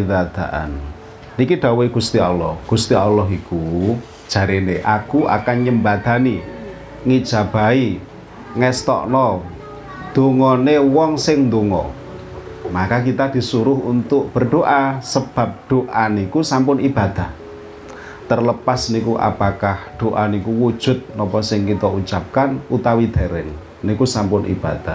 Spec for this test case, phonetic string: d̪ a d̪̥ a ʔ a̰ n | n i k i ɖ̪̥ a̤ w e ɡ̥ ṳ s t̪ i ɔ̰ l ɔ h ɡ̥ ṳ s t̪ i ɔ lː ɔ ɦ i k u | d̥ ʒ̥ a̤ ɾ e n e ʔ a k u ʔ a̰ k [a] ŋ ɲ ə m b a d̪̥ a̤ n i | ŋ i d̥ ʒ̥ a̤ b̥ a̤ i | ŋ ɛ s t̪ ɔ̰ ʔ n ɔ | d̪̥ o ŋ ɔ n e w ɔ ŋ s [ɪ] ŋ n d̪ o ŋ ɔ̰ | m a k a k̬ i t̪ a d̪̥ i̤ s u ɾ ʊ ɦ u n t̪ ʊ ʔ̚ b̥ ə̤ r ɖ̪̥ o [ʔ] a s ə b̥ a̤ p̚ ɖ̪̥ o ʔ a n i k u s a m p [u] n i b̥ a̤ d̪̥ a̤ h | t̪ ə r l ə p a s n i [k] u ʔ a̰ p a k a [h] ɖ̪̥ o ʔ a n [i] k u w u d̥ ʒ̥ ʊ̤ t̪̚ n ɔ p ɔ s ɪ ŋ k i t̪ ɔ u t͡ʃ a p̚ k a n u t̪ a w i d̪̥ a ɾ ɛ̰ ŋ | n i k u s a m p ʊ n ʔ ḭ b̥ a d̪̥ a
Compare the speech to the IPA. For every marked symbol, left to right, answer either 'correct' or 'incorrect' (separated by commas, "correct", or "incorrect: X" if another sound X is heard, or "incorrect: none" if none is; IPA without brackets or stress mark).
correct, correct, correct, incorrect: ʊ, correct, correct, correct